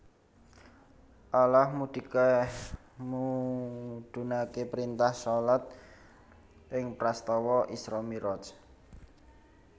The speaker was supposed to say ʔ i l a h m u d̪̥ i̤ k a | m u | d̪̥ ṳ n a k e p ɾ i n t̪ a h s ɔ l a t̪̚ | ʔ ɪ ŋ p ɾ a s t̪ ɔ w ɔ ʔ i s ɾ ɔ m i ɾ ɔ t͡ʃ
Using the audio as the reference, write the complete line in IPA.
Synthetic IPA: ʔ a l a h m u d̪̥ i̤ k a | m u | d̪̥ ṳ n a k e p ɾ i n t̪ a h s ɔ l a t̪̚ | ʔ ɪ ŋ p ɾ a s t̪ ɔ w ɔ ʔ i s ɾ ɔ m i ɾ ɔ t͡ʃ